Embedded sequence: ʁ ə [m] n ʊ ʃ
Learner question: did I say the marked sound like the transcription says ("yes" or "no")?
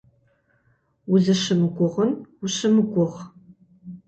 no